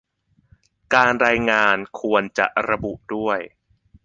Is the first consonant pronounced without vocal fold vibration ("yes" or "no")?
yes